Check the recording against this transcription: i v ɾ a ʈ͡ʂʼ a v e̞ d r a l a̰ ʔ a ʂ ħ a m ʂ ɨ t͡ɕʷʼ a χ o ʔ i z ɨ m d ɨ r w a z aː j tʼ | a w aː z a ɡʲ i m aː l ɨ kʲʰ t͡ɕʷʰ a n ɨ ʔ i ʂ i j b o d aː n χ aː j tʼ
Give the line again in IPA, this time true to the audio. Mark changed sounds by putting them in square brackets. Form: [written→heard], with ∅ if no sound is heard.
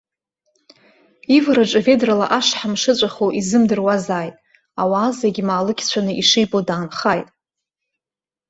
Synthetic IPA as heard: i v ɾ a ʈ͡ʂʼ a v e̞ d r a l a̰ ʔ a ʂ ħ a m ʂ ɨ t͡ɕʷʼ a χ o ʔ i z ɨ m d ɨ r w a z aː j tʼ | a w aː z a ɡʲ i m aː l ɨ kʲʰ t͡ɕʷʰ a n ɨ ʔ i ʂ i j b o d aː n χ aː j tʼ